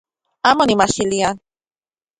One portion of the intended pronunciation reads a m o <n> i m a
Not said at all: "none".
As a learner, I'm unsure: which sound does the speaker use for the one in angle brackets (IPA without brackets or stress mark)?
n